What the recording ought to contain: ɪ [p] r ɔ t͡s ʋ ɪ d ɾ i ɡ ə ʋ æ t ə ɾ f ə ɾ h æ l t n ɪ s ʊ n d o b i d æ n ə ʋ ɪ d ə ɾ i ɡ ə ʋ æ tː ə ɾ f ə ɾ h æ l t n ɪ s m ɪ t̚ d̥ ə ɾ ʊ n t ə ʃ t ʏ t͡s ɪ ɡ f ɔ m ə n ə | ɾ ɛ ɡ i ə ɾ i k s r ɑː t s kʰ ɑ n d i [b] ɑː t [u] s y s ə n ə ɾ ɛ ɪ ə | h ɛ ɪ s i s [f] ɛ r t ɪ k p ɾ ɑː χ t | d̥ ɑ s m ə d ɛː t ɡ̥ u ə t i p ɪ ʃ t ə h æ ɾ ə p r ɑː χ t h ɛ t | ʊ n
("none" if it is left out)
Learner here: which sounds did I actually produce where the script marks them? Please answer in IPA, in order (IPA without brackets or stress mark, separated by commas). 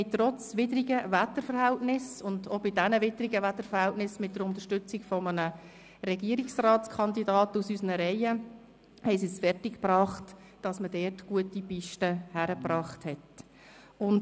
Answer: t, d, u, f